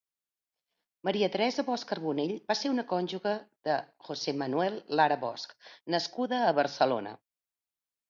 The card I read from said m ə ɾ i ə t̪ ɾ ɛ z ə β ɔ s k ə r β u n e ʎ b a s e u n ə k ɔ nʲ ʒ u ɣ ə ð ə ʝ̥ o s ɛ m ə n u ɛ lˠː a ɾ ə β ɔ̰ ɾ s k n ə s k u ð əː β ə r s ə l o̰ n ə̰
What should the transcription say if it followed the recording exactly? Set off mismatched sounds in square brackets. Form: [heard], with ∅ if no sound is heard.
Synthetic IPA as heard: m ə ɾ i ə t̪ ɾ ɛ z ə β ɔ s k ə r β u n e ʎ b a s e u n ə k ɔ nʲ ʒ u ɣ ə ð ə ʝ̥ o s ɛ m ə n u ɛ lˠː a ɾ ə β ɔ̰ [∅] s k n ə s k u ð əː β ə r s ə l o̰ n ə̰